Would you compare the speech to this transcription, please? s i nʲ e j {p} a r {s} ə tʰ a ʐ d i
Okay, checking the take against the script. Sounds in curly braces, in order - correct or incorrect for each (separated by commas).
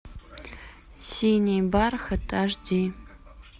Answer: incorrect, incorrect